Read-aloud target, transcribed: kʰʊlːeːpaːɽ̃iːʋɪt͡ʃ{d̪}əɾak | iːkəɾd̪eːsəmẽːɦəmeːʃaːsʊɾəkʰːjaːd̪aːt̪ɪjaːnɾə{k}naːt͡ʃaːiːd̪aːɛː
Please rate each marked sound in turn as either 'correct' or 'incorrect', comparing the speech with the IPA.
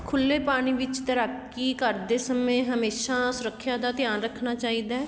incorrect, incorrect

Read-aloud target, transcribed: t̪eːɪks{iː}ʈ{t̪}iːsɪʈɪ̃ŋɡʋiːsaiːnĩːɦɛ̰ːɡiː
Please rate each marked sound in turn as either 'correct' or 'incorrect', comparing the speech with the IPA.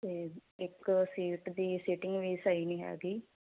correct, incorrect

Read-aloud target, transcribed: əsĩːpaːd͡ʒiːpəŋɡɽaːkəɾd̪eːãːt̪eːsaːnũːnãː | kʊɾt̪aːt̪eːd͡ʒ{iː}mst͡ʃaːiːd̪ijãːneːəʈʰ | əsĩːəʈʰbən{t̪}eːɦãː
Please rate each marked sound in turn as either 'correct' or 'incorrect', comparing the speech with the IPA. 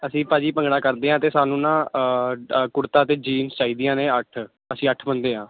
correct, incorrect

